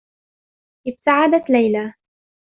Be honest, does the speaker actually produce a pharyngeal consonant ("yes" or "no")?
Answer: yes